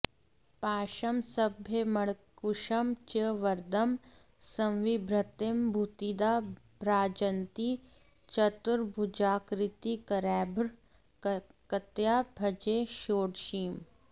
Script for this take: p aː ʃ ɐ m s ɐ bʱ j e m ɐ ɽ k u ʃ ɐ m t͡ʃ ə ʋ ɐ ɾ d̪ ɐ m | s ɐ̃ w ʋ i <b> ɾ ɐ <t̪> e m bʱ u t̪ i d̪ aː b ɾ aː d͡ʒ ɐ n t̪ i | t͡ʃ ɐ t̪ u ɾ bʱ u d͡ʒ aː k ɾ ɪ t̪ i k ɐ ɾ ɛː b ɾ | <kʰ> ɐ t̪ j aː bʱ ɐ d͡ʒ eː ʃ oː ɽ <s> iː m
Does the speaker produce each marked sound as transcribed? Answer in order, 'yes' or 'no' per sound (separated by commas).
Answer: yes, yes, no, no